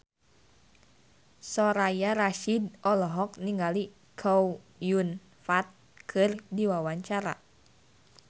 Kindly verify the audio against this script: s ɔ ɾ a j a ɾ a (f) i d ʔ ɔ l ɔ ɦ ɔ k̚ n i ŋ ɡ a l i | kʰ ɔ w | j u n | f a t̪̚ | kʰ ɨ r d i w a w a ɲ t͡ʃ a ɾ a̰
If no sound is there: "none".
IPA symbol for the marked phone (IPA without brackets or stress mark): ʃ